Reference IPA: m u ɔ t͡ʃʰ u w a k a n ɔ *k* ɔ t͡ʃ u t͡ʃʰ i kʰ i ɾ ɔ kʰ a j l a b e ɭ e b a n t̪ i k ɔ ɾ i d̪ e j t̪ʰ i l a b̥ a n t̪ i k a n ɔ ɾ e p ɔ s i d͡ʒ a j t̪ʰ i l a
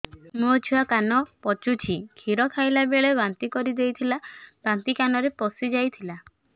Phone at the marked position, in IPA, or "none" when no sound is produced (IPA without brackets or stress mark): p